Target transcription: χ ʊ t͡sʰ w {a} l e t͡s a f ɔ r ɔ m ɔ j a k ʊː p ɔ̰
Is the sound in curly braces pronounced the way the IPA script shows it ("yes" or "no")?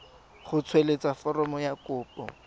no